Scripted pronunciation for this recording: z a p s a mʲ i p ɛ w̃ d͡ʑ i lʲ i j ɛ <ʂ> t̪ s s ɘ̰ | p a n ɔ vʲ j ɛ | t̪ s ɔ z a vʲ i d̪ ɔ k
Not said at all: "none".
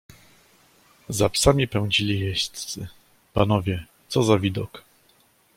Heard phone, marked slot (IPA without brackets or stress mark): ɕ